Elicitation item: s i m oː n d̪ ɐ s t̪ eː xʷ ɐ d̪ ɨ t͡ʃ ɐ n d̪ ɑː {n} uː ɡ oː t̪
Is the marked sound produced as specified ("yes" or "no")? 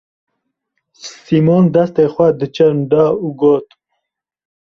no